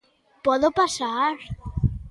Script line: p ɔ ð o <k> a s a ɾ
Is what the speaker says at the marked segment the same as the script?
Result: no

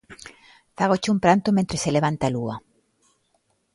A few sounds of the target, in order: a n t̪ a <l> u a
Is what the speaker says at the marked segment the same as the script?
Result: yes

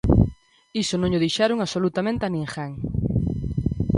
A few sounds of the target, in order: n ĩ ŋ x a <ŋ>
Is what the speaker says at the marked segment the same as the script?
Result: yes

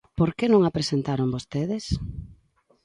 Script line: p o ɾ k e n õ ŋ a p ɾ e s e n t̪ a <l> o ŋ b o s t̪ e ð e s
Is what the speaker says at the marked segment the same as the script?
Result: no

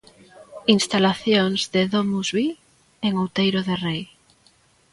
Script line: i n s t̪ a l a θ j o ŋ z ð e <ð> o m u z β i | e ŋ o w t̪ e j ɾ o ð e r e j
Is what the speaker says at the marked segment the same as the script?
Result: yes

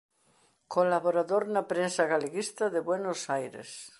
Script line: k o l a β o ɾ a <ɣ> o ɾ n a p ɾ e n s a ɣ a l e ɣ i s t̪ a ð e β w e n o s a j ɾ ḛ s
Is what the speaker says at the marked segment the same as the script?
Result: no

